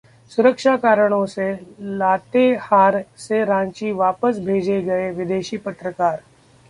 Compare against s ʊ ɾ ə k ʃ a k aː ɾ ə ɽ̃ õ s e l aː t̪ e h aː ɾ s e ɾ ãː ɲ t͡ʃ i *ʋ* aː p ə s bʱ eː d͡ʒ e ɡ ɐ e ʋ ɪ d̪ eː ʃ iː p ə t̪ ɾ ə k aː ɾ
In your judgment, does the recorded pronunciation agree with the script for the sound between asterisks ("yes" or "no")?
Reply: yes